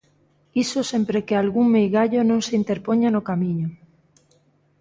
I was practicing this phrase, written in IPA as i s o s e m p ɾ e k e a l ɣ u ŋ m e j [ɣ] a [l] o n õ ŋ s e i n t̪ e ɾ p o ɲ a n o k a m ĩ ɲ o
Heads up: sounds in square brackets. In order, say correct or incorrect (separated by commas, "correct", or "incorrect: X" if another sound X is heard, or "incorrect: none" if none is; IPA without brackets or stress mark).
correct, incorrect: ʎ